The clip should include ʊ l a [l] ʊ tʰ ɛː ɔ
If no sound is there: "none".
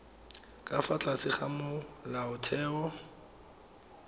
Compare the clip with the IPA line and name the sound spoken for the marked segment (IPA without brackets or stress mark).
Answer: none